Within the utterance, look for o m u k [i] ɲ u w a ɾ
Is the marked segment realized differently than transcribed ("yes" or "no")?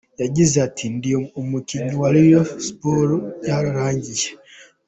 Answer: no